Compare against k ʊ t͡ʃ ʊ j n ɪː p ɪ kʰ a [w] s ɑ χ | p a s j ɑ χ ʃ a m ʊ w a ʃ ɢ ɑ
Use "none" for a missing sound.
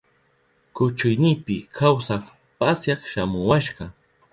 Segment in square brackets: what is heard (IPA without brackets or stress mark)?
w